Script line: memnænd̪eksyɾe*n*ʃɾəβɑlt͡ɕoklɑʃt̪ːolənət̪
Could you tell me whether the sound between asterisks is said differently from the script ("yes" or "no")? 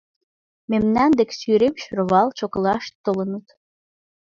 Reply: yes